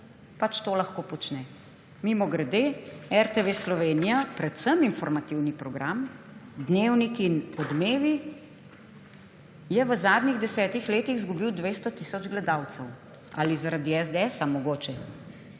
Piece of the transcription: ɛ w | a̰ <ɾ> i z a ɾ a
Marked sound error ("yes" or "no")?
yes